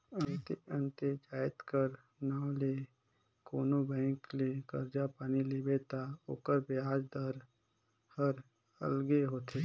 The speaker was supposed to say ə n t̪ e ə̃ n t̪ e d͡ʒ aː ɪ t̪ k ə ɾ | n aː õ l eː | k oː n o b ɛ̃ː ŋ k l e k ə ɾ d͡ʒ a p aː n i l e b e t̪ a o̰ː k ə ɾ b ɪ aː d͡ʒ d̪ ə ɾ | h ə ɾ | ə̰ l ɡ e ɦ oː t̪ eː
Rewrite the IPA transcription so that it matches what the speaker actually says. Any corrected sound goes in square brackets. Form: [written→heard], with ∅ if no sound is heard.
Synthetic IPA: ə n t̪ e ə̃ n t̪ e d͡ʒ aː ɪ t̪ k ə ɾ | n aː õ l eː | k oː n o b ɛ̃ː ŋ k l e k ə ɾ d͡ʒ a p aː n i l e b e t̪ a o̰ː k ə ɾ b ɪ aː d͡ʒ d̪ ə ɾ | h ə ɾ | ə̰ l ɡ e ɦ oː t̪ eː